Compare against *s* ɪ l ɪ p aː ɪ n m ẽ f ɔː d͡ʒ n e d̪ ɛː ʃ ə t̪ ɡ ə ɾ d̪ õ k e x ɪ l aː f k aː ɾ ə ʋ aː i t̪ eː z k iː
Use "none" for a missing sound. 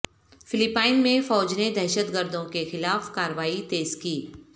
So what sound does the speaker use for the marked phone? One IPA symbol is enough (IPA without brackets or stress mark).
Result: f